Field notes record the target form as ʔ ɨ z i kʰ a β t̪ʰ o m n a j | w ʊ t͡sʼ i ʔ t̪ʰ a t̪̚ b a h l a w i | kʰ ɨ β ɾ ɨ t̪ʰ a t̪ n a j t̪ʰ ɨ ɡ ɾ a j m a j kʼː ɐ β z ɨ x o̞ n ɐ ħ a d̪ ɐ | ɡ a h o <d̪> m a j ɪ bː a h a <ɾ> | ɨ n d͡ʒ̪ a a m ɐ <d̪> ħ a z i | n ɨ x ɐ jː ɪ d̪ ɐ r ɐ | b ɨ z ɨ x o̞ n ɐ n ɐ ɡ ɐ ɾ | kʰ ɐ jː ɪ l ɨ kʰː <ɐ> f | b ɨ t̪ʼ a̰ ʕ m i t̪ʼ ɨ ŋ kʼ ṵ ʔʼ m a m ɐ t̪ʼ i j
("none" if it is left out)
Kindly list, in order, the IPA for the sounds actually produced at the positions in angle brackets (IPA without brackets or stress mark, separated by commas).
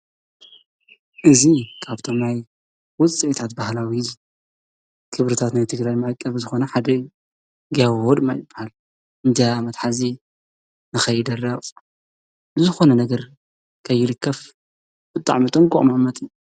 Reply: d̪, l, t̪, ɐ